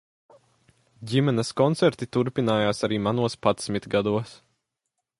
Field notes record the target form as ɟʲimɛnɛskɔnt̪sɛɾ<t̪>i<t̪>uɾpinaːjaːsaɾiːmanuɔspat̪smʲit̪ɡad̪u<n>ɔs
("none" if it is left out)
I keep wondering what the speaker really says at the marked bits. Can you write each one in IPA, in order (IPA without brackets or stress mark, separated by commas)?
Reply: t̪, t̪, none